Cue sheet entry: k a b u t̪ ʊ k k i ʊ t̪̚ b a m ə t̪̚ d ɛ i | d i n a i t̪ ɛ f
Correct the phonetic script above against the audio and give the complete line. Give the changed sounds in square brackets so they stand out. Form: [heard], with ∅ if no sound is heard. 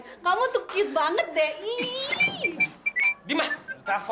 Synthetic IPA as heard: k a [m] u t̪ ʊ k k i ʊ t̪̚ b a [ŋ] ə t̪̚ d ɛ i | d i [m] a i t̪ [a] f